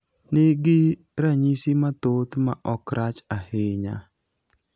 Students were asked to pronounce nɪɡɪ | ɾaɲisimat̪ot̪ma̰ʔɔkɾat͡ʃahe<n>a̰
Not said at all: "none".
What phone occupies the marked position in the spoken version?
ɲ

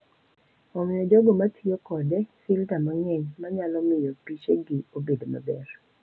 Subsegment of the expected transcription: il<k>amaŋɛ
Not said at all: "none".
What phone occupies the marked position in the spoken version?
t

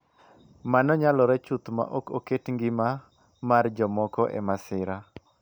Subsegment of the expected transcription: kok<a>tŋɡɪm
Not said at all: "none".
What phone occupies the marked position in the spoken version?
e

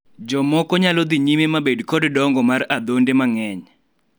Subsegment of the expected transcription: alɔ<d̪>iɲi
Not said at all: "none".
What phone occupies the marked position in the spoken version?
d̪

